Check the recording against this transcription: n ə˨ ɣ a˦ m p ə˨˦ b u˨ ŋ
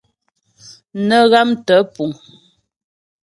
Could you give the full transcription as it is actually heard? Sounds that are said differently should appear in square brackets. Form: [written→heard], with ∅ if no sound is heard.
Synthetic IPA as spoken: n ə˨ ɣ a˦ m [p→t] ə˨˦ [b→p] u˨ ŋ